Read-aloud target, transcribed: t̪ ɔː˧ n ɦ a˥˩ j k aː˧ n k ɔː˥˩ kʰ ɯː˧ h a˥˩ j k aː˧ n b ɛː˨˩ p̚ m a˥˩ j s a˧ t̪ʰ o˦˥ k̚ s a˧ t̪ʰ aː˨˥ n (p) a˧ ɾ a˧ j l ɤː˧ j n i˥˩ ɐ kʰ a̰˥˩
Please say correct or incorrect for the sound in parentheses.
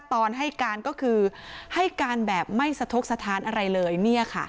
incorrect